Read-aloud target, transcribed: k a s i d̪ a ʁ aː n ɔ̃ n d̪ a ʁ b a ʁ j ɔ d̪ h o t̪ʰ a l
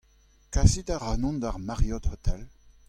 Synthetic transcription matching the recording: k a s i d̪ a ʁ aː n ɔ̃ n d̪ a ʁ m a ʁ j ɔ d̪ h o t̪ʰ ɛ l